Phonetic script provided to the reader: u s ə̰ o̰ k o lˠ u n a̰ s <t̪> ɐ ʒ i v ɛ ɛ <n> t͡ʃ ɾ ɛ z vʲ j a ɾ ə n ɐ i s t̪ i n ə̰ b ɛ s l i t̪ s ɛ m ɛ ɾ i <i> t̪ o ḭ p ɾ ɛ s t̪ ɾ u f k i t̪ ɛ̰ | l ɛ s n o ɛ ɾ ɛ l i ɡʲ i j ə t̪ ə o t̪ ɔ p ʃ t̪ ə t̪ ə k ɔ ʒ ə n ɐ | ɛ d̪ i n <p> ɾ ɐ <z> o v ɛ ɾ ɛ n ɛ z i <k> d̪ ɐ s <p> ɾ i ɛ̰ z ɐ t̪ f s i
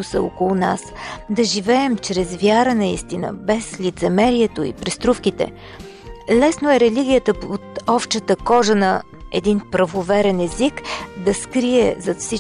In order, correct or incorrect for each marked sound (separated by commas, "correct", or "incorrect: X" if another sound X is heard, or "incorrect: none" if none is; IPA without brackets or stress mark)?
incorrect: d̪, incorrect: m, incorrect: ɛ, correct, incorrect: v, correct, incorrect: k